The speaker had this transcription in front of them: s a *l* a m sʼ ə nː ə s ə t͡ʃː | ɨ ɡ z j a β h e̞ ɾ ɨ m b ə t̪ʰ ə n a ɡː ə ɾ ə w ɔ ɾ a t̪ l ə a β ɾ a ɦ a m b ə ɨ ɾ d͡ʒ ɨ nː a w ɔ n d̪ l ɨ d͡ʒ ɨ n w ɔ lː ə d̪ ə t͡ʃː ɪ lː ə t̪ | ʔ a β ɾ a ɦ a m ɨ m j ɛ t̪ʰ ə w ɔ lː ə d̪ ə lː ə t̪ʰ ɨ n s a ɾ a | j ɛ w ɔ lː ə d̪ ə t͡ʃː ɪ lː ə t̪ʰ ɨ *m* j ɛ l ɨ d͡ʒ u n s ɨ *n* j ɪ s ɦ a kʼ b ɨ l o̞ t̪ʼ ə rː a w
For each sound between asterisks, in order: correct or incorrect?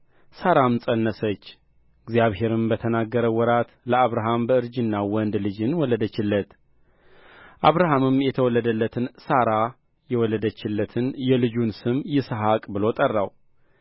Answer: incorrect: ɾ, incorrect: n, incorrect: m

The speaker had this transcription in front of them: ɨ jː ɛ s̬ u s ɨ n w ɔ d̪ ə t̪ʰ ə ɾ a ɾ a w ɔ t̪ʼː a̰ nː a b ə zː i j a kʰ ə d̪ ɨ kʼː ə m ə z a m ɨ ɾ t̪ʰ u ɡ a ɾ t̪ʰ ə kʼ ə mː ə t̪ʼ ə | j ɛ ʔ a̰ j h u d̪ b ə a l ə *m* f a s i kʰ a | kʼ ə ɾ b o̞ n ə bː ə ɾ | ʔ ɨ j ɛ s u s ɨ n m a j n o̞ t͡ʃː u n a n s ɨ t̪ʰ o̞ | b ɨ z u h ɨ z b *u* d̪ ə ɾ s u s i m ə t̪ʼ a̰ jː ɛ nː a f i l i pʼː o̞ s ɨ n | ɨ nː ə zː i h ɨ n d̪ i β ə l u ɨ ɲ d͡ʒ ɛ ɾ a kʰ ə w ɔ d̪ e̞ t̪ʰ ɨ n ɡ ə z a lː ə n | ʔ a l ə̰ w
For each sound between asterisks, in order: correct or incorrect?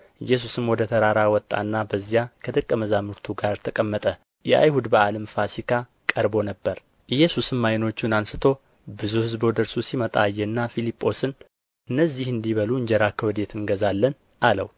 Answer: correct, incorrect: o

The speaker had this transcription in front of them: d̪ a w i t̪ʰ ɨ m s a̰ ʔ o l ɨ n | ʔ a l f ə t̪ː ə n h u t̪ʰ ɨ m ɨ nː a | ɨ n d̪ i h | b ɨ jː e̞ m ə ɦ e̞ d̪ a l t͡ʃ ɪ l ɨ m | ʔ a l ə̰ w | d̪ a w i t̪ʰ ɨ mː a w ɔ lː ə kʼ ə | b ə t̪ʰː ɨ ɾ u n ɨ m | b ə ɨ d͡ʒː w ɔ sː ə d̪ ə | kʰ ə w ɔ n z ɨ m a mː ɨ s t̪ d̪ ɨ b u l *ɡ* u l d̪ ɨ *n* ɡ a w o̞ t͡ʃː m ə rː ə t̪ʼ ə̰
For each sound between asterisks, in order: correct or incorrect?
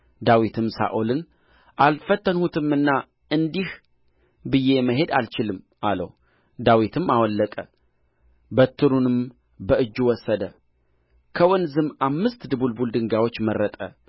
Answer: incorrect: b, incorrect: ŋ

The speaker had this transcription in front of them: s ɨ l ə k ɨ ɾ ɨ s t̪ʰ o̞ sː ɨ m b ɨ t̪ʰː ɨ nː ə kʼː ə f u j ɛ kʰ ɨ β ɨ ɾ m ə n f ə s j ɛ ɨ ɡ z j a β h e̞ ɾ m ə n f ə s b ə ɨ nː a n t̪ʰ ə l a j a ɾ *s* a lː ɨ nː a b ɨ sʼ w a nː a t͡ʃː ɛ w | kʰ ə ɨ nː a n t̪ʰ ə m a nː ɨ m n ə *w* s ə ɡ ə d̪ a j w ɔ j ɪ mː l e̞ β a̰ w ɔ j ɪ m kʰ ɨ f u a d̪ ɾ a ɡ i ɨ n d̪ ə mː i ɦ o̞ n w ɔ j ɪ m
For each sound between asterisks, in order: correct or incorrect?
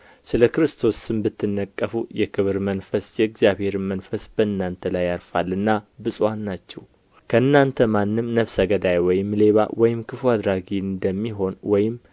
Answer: incorrect: f, incorrect: β

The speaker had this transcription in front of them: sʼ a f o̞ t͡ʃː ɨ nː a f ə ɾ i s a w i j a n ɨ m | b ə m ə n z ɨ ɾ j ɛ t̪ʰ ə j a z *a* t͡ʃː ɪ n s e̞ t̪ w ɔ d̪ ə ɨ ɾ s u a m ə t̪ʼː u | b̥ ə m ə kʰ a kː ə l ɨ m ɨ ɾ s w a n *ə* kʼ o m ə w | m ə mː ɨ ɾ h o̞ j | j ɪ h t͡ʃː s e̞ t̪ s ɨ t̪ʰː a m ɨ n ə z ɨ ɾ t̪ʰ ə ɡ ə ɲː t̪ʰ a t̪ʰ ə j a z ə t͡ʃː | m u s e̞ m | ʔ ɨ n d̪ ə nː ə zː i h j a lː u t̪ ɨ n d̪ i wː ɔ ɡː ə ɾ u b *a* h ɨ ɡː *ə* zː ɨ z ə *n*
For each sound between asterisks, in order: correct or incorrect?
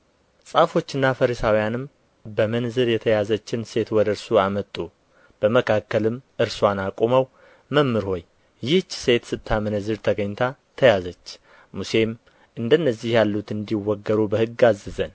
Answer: incorrect: ə, incorrect: a, incorrect: ə, incorrect: a, correct

